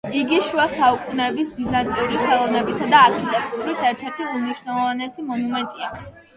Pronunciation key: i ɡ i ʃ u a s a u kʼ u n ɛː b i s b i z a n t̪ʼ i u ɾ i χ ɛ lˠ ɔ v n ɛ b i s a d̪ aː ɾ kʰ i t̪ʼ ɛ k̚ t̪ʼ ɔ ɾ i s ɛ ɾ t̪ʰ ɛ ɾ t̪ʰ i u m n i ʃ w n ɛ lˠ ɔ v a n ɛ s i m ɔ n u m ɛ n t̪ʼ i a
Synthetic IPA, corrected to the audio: i ɡ i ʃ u a s a u kʼ u n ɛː b i s b i z a n t̪ʼ i u ɾ i χ ɛ lˠ ɔ v n ɛ b i s a d̪ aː ɾ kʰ i t̪ʼ ɛ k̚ t̪ʼ u ɾ i s ɛ ɾ t̪ʰ ɛ ɾ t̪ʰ i u m n i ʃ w n ɛ lˠ ɔ v a n ɛ s i m ɔ n u m ɛ n t̪ʼ i a

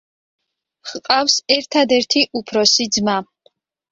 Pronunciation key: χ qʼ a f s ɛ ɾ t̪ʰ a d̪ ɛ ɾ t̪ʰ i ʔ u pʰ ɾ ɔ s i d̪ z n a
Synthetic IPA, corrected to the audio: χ qʼ a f s ɛ ɾ t̪ʰ a d̪ ɛ ɾ t̪ʰ i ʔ u pʰ ɾ ɔ s i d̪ z m a

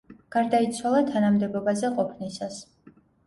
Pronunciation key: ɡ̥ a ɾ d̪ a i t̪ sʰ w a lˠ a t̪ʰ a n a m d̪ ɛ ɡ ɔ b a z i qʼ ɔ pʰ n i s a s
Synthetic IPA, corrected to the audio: ɡ̥ a ɾ d̪ a i t̪ sʰ w a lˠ a t̪ʰ a n a m d̪ ɛ b ɔ b a z ɛ qʼ ɔ pʰ n i s a s

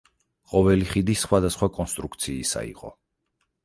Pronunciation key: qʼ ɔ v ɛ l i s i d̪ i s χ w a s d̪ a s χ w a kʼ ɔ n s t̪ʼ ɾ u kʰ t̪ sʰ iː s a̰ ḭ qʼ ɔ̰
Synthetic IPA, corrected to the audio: qʼ ɔ v ɛ l i χ i d̪ i s χ w a d̪ a s χ w a kʼ ɔ n s t̪ʼ ɾ u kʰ t̪ sʰ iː s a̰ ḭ qʼ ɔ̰

